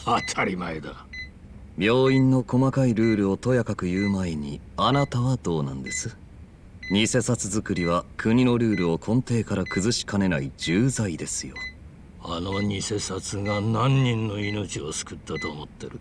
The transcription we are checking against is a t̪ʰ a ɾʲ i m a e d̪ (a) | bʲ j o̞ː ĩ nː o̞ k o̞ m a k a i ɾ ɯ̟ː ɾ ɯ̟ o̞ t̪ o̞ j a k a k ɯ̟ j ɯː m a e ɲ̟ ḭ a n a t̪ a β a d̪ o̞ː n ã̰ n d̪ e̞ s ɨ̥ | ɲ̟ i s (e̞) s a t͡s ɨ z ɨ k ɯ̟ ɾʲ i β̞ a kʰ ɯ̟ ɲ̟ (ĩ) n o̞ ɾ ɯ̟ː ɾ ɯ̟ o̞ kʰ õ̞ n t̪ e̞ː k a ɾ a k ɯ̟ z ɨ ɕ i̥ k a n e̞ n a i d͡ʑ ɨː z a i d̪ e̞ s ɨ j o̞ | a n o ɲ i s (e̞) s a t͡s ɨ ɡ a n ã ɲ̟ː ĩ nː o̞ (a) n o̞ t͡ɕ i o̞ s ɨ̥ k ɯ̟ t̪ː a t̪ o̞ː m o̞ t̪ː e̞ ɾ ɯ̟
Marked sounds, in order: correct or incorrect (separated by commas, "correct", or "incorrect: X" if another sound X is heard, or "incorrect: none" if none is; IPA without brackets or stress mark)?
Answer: correct, correct, incorrect: i, correct, incorrect: i